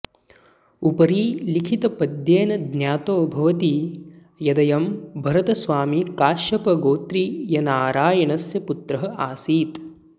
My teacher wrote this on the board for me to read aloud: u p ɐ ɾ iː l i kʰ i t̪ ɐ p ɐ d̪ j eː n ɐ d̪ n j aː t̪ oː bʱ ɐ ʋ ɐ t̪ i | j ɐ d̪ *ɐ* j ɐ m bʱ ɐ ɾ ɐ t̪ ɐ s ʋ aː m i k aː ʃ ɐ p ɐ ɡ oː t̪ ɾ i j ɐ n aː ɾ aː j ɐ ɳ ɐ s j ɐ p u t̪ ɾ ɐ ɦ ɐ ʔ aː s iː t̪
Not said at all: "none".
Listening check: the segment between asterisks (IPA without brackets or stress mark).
ɐ